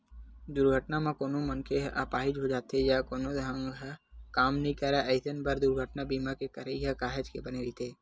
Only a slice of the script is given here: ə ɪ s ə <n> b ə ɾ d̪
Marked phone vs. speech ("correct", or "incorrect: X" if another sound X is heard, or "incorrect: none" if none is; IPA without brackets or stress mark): correct